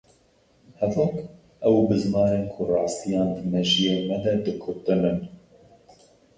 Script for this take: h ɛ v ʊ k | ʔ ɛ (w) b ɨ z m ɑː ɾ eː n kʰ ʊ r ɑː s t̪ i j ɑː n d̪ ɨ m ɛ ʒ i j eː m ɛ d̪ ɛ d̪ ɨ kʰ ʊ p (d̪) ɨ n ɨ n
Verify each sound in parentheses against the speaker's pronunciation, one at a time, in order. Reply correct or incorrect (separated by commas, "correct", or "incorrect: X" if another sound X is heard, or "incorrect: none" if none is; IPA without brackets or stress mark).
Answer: correct, incorrect: t̪